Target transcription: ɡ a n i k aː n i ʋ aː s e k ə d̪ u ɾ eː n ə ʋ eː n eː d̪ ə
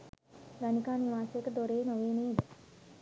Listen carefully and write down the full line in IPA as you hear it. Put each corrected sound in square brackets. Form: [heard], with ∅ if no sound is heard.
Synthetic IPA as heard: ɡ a n i k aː n i ʋ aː s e k ə d̪ [o] ɾ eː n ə ʋ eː n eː d̪ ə